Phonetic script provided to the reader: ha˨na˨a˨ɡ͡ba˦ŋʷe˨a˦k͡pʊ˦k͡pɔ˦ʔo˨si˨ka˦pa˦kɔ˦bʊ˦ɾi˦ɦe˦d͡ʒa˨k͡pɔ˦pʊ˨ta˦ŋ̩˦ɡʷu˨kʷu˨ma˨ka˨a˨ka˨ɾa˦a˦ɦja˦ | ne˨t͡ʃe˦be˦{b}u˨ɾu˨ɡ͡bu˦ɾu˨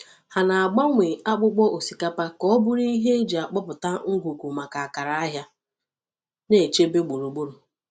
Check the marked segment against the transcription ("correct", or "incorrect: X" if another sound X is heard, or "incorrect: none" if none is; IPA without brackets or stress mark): incorrect: ɡ͡b